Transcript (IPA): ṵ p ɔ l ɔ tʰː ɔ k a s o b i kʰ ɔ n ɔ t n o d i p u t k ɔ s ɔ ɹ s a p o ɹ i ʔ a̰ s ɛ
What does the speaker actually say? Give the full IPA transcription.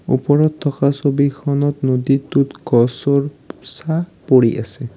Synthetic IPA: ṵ p ɔ ɹ ɔ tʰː ɔ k a s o b i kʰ ɔ n ɔ t n o d i t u t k ɔ s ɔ ɹ s a p o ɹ i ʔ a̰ s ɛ